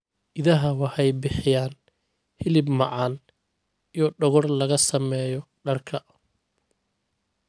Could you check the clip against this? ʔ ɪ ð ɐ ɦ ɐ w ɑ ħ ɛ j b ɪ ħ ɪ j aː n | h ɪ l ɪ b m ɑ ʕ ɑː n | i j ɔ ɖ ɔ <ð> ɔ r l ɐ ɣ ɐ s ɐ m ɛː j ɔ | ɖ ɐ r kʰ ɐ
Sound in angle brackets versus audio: incorrect: ɣ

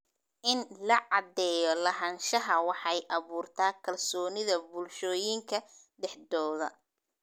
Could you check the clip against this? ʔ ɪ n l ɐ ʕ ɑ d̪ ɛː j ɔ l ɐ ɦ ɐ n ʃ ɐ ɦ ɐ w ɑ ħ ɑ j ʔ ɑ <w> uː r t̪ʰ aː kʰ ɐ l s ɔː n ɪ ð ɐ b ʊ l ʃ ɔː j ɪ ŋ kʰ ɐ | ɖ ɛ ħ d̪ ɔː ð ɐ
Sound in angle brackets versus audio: incorrect: β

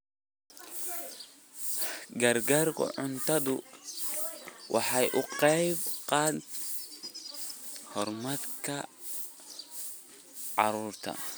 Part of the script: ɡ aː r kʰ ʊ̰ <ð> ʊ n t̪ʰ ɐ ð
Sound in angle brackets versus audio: incorrect: ʕ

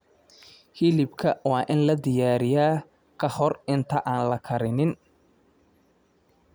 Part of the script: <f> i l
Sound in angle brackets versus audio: incorrect: h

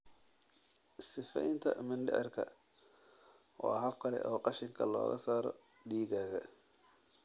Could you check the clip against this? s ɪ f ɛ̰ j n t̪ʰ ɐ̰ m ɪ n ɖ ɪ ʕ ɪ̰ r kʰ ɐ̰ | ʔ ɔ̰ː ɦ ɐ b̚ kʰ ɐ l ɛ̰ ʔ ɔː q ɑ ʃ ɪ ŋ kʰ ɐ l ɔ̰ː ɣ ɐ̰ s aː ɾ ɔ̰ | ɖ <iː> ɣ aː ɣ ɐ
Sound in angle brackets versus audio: correct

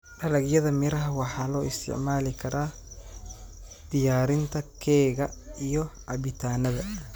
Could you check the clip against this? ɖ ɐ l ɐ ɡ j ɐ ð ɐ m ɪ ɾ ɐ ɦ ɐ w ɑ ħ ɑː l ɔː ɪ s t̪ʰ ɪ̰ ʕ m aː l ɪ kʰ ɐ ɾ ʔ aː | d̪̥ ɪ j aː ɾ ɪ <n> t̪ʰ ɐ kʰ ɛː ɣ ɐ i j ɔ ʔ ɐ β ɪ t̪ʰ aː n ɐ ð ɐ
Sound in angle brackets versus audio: correct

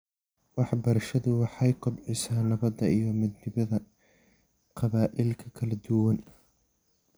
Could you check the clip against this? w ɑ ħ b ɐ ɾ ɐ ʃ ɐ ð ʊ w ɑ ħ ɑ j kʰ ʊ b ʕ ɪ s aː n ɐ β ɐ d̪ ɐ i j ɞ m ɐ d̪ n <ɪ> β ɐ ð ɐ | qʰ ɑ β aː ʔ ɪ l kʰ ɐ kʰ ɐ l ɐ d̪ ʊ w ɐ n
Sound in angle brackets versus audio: correct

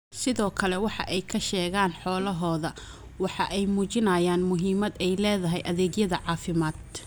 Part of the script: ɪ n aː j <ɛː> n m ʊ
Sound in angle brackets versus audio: incorrect: aː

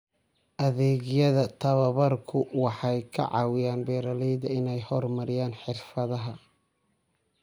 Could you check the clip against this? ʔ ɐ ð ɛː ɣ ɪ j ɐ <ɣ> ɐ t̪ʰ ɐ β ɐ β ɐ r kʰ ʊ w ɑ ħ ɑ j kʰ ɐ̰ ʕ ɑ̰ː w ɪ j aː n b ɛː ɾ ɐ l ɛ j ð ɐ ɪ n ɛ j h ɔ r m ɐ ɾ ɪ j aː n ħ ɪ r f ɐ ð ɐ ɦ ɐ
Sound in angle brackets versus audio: incorrect: ð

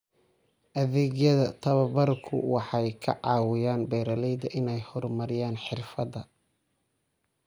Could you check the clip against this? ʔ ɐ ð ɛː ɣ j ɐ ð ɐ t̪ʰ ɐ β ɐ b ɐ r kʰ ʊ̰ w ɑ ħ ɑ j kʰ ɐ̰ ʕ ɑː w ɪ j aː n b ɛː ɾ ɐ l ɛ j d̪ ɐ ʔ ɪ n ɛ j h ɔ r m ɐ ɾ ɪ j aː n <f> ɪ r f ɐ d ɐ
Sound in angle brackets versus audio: incorrect: ħ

